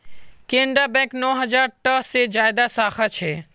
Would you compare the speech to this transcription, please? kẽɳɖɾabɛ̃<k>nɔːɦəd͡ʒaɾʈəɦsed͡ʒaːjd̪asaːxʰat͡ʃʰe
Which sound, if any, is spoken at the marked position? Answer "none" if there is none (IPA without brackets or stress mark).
k